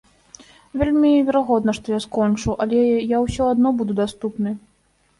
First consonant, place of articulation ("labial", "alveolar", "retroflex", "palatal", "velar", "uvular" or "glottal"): labial